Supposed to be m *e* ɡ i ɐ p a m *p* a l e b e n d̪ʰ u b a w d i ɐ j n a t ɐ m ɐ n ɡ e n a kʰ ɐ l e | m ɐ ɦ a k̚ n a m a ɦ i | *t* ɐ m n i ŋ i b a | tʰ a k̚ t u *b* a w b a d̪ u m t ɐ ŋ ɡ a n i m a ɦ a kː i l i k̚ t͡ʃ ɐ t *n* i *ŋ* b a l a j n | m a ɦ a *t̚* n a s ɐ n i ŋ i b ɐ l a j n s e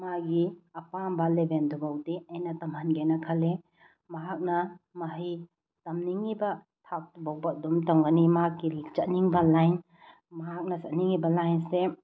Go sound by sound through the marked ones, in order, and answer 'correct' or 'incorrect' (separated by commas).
incorrect, incorrect, correct, correct, correct, correct, incorrect